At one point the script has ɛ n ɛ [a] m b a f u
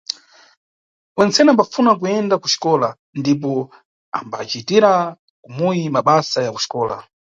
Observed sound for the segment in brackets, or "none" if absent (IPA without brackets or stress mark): a